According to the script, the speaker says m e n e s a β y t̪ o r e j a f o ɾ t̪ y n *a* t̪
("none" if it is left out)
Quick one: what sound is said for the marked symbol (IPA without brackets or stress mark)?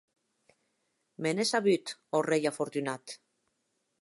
a